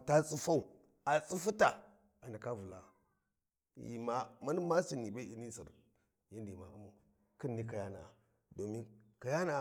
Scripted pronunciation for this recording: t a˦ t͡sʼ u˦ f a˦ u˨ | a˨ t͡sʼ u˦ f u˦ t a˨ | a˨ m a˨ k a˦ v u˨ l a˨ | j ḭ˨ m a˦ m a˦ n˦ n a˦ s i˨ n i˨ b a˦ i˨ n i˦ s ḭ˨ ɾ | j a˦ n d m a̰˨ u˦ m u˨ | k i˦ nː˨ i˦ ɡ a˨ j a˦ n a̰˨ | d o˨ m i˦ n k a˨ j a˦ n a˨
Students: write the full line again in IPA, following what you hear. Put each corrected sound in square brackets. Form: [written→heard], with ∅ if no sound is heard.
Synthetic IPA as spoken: t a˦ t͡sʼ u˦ f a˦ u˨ | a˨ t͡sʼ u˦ f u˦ t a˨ | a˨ [m→n] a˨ k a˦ v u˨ l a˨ | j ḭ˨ m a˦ m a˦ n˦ [n→m] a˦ s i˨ n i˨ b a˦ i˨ n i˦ s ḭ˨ ɾ | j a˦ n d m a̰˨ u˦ m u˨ | k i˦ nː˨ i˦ [ɡ→k] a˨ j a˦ n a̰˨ | d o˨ m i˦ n k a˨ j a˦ n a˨